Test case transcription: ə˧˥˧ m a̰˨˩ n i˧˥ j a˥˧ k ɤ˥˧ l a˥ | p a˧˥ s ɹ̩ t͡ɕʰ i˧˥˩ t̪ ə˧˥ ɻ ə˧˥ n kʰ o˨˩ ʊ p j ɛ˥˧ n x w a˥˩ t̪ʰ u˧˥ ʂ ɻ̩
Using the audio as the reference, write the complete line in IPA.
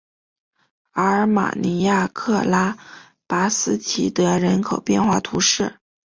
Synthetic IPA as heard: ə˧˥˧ m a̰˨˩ n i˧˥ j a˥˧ kʰ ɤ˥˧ l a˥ | p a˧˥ s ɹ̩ t͡ɕʰ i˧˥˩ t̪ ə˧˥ ɻ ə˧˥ n kʰ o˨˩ ʊ p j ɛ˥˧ n x w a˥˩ t̪ʰ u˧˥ ʂ ɻ̩